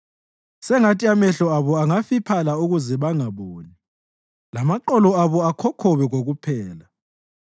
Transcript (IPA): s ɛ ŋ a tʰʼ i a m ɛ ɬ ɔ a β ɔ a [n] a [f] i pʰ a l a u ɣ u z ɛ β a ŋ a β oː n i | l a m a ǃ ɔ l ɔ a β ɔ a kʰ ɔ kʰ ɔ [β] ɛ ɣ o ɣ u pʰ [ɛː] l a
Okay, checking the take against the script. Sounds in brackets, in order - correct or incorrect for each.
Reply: incorrect: ŋ, correct, correct, correct

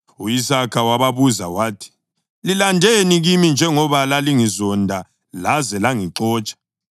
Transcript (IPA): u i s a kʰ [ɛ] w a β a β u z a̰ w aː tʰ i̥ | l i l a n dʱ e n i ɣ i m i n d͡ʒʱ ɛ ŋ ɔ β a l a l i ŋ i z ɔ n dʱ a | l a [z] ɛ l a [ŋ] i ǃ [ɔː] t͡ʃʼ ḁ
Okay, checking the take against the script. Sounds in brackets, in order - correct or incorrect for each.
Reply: incorrect: a, correct, correct, correct

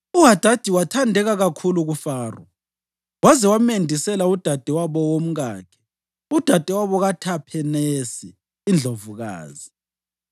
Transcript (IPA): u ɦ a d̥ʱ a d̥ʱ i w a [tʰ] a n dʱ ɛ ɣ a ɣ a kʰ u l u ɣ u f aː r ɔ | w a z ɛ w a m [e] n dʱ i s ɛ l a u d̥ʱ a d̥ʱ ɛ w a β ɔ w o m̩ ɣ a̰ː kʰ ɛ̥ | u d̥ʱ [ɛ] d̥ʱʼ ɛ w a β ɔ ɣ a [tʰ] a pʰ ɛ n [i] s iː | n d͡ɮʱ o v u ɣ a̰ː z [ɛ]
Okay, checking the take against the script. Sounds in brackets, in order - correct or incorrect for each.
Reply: correct, correct, incorrect: a, correct, incorrect: e, incorrect: i

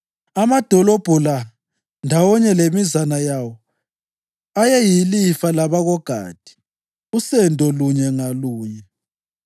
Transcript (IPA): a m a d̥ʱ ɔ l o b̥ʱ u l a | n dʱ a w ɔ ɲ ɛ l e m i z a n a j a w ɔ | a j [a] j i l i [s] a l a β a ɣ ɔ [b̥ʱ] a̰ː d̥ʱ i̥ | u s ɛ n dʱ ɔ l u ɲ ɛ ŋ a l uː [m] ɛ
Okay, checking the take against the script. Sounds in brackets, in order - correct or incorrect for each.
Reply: incorrect: ɛ, incorrect: f, incorrect: ɡ̥ʱ, incorrect: ɲ

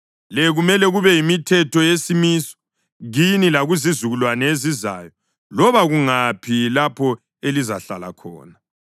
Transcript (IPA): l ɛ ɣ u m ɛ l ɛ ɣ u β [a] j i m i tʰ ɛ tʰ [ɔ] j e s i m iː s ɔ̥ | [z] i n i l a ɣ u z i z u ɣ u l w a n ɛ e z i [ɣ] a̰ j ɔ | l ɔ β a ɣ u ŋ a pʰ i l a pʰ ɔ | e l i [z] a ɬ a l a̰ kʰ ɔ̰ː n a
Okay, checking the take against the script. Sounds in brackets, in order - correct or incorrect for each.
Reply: incorrect: ɛ, correct, incorrect: ɣ, incorrect: z, correct

